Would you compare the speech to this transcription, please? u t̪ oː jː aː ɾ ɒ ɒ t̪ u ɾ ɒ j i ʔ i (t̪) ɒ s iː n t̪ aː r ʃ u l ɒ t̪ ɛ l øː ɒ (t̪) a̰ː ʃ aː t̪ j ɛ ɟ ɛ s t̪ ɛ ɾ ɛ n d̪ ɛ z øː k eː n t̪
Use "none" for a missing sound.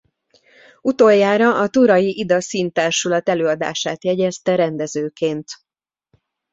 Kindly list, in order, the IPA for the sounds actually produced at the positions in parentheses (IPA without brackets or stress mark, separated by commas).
d̪, d̪